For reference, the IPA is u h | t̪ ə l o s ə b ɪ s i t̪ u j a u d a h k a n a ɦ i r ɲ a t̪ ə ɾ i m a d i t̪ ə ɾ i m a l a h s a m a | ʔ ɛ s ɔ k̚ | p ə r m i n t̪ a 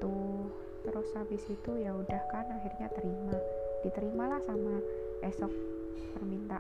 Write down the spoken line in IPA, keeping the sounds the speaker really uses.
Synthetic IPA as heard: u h | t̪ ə ɾ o s a b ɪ s i t̪ u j a u d a h k a n a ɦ i r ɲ a t̪ ə ɾ i m a d i t̪ ə ɾ i m a l a h s a m a | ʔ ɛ s ɔ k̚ | p ə r m i n t̪ a